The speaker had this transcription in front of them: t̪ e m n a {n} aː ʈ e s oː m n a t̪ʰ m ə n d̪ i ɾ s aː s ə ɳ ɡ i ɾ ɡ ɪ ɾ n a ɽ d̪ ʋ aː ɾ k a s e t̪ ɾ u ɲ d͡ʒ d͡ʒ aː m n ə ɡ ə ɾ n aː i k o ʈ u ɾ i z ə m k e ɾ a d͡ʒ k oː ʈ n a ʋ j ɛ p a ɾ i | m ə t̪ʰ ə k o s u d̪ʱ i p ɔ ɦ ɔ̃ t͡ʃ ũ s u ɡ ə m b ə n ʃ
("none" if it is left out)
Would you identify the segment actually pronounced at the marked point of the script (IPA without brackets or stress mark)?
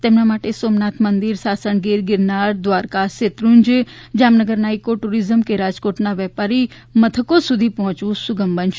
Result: m